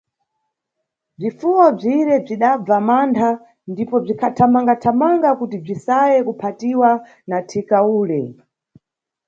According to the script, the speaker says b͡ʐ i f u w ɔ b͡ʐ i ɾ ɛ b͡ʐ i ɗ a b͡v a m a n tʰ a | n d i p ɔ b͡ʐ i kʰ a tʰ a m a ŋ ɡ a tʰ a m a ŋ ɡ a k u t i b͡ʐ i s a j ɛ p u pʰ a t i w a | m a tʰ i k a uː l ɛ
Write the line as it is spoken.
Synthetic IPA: b͡ʐ i f u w ɔ b͡ʐ i ɾ ɛ b͡ʐ i ɗ a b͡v a m a n tʰ a | n d i p ɔ b͡ʐ i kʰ a tʰ a m a ŋ ɡ a tʰ a m a ŋ ɡ a k u t i b͡ʐ i s a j ɛ k u pʰ a t i w a | n a tʰ i k a uː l ɛ

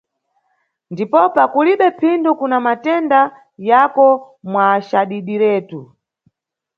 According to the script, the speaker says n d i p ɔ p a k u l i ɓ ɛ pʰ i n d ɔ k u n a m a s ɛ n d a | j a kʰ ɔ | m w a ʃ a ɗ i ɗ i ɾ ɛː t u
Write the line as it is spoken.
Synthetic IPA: n d i p ɔ p a k u l i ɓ ɛ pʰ i n d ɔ k u n a m a t ɛ n d a | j a k ɔ | m w a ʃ a ɗ i ɗ i ɾ ɛː t u

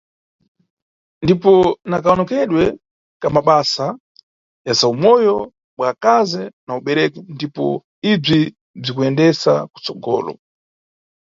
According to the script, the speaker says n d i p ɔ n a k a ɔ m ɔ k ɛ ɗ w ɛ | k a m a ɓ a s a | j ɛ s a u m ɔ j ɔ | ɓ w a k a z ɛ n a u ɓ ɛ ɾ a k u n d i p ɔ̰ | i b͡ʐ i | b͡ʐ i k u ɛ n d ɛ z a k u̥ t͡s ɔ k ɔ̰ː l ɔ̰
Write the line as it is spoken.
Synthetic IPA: n d i p ɔ n a k a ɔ n ɔ k ɛ ɗ w ɛ | k a m a ɓ a s a | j a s a u m ɔ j ɔ | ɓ w a k a z ɛ n a u ɓ ɛ ɾ ɛ k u n d i p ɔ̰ | i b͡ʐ i | b͡ʐ i k u ɛ n d ɛ s a k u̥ t͡s ɔ ɡ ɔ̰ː l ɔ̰

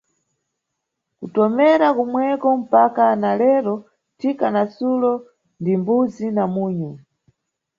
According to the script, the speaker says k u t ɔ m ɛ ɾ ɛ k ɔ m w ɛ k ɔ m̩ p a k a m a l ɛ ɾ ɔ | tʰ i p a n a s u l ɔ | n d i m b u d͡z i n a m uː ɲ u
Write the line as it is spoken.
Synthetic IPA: k u t ɔ m ɛ ɾ a k u m w ɛ k ɔ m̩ p a k a n a l ɛ ɾ ɔ | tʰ i k a n a s u l ɔ | n d i m b u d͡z i n a m uː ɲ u

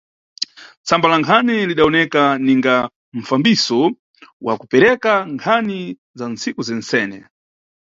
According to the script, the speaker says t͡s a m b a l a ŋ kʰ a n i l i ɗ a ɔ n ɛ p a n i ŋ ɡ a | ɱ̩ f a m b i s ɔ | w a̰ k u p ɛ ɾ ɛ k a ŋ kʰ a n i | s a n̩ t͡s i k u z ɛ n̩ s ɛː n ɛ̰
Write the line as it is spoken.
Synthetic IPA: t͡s a m b a l a ŋ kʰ a n i l i ɗ a ɔ n ɛ k a n i ŋ ɡ a | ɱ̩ f a m b i s ɔ | w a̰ k u p ɛ ɾ ɛ k a ŋ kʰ a n i | z a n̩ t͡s i k u z ɛ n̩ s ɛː n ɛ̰

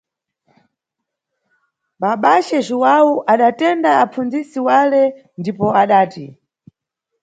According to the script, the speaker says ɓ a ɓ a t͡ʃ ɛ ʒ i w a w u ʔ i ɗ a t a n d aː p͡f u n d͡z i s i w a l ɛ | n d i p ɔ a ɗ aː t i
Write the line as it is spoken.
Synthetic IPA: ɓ a ɓ a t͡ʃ ɛ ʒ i w a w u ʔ a ɗ a t ɛ n d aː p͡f u n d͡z i s i w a l ɛ | n d i p ɔ a ɗ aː t i

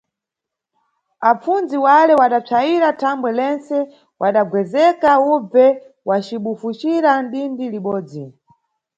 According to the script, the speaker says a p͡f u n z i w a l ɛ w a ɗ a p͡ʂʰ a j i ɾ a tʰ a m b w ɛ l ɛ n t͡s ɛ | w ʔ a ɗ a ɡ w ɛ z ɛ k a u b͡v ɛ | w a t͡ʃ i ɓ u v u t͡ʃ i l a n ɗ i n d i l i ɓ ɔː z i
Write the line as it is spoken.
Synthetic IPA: a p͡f u n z i w a l ɛ w a ɗ a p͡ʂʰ a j i ɾ a tʰ a m b w ɛ l ɛ n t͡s ɛ | w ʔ a ɗ a ɡ w ɛ z ɛ k a u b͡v ɛ | w a t͡ʃ i ɓ u f u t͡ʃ i ɾ a n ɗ i n d i l i ɓ ɔː d͡z i

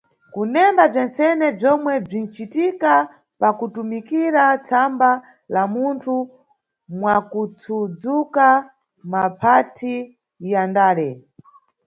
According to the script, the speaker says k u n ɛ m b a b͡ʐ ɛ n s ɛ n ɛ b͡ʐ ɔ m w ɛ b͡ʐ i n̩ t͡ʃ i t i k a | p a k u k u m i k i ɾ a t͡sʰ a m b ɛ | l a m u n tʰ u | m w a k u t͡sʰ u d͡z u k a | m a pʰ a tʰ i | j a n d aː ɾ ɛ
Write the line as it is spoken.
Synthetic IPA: k u n ɛ m b a b͡ʐ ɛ n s ɛ n ɛ b͡ʐ ɔ m w ɛ b͡ʐ i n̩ t͡ʃ i t i k a | p a k u t u m i k i ɾ a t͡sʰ a m b a | l a m u n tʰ u | m w a k u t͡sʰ u d͡z u k a | m a pʰ a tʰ i | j a n d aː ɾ ɛ

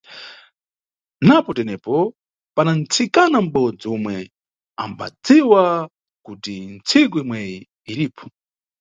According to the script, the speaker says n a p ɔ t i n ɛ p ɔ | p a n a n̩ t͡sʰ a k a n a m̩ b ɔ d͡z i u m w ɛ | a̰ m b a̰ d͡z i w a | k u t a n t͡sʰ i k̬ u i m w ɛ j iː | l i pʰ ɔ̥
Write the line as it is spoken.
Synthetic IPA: n a p ɔ t ɛ n ɛ p ɔ | p a n a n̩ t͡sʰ i k a n a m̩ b ɔ d͡z i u m w ɛ | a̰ m b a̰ d͡z i w a | k u t i n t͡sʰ i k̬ u i m w ɛ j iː | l i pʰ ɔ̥

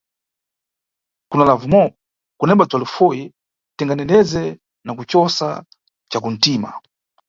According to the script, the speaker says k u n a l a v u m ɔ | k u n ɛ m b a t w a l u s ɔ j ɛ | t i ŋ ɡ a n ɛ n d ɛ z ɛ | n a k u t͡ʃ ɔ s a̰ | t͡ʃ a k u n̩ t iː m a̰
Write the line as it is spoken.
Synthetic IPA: k u n a l a v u m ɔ | k u n ɛ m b a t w a l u f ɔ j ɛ | t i ŋ ɡ a n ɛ n d ɛ z ɛ | n a k u t͡ʃ ɔ s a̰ | t͡ʃ a k u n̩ t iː m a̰

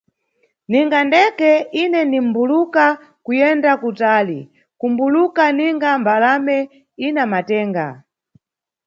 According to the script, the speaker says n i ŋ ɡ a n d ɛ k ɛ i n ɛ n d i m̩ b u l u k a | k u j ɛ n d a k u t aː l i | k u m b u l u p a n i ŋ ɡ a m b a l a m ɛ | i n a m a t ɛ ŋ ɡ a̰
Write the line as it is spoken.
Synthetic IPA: n i ŋ ɡ a n d ɛ k ɛ i n ɛ n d i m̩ b u l u k a | k u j ɛ n d a k u t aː l i | k u m b u l u k a n i ŋ ɡ a m b a l a m ɛ | i n a m a t ɛː ŋ ɡ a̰

